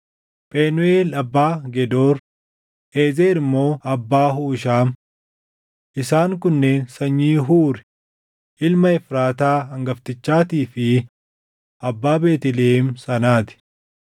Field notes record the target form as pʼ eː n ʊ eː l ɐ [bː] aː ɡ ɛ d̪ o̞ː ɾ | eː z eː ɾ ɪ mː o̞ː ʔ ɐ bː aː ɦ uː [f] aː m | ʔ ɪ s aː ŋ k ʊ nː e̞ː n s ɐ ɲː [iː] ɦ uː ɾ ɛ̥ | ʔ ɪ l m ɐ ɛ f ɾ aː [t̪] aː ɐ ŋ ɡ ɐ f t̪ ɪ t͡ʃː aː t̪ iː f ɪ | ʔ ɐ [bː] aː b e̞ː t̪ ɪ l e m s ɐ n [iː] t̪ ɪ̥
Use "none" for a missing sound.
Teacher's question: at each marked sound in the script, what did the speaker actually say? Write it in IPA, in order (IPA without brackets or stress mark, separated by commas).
bː, ʃ, iː, t̪, bː, aː